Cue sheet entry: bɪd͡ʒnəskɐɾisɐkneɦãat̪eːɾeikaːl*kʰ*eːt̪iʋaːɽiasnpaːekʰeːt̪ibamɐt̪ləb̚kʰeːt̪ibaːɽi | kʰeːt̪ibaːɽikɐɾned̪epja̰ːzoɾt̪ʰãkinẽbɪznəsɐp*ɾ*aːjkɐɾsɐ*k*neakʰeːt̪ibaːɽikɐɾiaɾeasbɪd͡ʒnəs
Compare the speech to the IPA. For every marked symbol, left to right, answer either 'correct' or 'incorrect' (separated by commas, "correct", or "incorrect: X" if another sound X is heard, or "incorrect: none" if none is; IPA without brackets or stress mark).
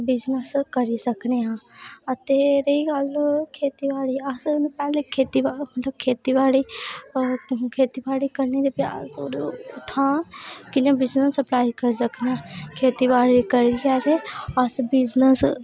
correct, incorrect: l, correct